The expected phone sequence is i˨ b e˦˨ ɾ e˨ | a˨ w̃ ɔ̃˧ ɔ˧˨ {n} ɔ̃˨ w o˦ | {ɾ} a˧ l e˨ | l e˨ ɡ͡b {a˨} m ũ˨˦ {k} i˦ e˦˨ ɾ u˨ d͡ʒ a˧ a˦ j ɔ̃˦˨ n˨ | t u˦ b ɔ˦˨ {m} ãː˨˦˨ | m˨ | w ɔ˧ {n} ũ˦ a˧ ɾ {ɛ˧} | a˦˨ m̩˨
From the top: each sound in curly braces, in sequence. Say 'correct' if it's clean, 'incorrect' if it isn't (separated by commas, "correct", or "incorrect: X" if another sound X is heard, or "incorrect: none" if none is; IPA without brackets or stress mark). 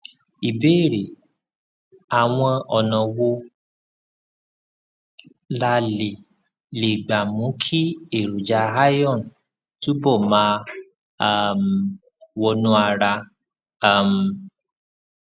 correct, incorrect: l, correct, incorrect: kʰ, correct, correct, incorrect: a˧